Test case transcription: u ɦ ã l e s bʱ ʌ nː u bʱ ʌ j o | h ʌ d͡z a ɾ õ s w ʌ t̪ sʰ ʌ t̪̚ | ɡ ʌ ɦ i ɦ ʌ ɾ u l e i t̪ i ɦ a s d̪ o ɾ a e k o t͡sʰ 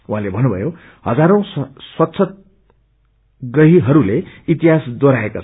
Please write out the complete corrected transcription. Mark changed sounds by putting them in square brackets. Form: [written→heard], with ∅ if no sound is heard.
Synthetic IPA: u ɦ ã l e [s→∅] bʱ ʌ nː u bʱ ʌ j o | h ʌ d͡z a ɾ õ s w ʌ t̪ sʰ ʌ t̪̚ | ɡ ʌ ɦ i ɦ ʌ ɾ u l e i t̪ i ɦ a s d̪ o ɾ a e k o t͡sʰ